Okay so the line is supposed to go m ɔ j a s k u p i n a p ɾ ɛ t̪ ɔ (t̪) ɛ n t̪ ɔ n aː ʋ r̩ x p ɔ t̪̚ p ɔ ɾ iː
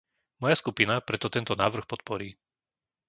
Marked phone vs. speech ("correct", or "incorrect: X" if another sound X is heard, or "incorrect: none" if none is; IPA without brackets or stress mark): correct